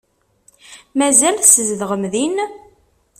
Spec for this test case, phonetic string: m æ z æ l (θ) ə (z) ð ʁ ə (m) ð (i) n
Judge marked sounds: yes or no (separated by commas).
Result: no, yes, yes, yes